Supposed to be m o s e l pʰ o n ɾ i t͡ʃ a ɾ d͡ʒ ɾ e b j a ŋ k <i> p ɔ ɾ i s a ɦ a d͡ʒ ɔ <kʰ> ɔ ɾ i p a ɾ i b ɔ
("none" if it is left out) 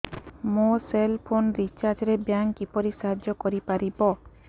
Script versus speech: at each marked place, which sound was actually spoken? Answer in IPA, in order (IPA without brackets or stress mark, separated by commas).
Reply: i, k